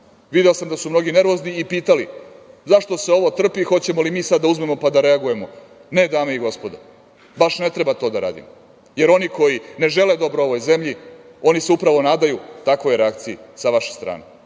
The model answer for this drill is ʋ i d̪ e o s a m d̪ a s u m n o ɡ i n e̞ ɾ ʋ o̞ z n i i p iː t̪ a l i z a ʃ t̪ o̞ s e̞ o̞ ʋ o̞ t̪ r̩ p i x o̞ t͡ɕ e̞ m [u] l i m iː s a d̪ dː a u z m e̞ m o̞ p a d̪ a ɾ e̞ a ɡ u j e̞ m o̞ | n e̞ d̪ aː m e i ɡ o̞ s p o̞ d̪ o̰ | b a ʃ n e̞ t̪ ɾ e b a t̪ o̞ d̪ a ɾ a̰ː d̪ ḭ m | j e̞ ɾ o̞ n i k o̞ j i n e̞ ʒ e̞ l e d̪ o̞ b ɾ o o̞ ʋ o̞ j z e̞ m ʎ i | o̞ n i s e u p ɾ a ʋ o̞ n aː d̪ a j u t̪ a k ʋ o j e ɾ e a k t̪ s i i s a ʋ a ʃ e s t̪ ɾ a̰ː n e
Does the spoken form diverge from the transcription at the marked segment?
yes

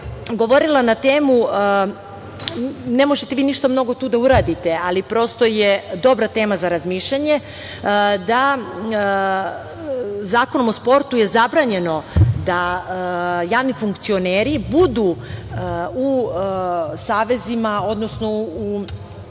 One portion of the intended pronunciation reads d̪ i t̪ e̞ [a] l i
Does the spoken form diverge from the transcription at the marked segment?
no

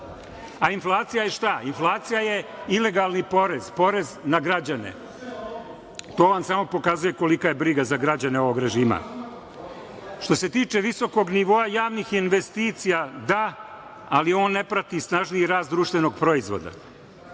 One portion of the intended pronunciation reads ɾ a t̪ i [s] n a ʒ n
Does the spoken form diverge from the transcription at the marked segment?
no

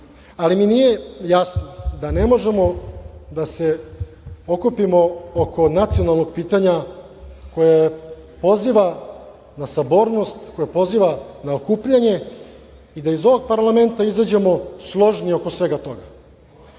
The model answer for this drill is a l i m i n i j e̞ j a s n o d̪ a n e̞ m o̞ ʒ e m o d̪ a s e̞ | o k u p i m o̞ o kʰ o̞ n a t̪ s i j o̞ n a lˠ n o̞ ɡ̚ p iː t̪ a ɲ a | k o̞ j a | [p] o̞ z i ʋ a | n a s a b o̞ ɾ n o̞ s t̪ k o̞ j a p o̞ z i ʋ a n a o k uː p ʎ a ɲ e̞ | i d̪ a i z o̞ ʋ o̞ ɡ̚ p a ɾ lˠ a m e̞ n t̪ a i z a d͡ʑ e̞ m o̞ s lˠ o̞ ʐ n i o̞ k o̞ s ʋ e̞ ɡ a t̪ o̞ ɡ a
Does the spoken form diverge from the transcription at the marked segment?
no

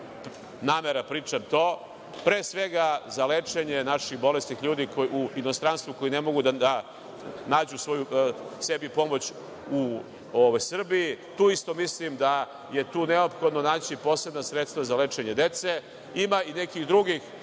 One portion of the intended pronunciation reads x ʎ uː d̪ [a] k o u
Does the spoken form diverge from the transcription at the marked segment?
yes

